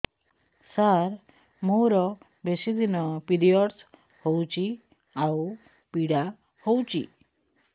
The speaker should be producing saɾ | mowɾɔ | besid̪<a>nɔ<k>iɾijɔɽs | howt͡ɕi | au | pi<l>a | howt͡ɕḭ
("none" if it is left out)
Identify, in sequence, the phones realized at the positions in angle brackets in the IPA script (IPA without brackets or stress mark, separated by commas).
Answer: i, p, ɽ